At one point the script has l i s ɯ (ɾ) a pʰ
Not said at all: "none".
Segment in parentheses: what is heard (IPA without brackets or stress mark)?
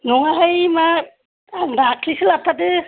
l